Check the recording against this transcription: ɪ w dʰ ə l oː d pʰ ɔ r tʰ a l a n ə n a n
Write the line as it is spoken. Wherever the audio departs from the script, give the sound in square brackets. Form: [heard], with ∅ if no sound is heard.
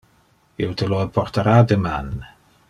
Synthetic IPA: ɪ w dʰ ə l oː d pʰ ɔ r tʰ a [ɾ] a [d] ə [m] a n